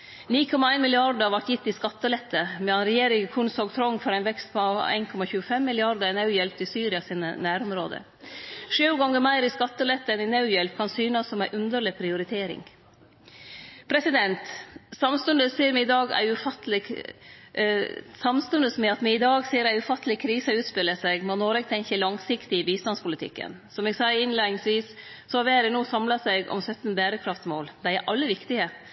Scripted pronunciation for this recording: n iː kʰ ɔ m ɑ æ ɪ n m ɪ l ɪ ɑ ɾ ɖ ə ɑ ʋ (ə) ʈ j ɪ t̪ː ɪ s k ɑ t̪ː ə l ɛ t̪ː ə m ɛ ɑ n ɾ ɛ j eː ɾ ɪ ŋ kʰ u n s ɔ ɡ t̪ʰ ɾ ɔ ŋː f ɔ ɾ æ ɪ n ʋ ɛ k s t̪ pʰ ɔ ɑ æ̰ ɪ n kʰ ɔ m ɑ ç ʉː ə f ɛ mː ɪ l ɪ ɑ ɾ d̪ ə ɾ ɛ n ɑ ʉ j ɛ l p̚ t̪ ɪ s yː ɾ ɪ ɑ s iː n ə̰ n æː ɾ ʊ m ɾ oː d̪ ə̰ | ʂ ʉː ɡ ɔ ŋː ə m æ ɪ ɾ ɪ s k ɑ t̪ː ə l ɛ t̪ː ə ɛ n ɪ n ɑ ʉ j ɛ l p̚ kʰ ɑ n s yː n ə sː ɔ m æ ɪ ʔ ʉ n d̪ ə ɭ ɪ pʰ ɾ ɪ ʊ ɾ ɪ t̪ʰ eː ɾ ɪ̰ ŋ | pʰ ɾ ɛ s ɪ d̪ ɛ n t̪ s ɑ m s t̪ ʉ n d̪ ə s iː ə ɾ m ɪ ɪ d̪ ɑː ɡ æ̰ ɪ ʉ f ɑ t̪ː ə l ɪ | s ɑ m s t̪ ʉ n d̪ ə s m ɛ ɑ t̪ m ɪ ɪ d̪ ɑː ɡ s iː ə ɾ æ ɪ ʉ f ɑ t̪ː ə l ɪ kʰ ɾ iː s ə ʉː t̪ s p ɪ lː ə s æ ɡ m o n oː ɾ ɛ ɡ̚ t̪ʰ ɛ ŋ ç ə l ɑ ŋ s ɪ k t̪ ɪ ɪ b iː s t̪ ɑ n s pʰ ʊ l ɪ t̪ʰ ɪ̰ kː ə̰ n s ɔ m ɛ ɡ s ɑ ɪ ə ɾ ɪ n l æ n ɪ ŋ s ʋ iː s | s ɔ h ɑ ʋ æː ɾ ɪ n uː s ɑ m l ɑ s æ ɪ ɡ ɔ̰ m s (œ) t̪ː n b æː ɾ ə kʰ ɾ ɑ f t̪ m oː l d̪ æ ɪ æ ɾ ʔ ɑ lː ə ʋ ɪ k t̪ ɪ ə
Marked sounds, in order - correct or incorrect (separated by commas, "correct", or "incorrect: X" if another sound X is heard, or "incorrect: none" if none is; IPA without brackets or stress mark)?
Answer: incorrect: ɑ, correct